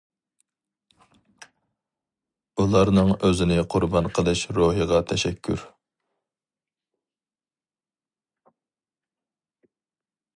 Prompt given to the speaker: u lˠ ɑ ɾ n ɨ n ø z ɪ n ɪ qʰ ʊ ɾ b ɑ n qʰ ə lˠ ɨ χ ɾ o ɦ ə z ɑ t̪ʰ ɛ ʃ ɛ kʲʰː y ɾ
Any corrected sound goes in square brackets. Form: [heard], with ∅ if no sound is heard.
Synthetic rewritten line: u lˠ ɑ ɾ n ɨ [ŋ] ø z ɪ n ɪ qʰ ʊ ɾ b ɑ n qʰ ə lˠ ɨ [ʃ] ɾ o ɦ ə [ʁ] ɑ t̪ʰ ɛ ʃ ɛ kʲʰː y ɾ